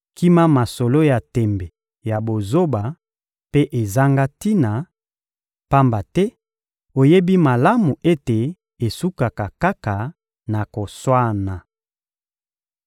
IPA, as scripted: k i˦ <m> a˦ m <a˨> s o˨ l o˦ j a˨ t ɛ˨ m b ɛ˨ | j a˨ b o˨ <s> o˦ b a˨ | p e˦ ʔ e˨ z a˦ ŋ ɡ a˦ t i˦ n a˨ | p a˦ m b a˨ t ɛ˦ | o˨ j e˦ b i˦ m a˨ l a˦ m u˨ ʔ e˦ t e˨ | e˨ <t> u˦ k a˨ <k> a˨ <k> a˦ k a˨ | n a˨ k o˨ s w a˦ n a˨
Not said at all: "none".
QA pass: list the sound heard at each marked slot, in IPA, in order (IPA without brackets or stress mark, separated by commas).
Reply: m, a˨, z, s, k, k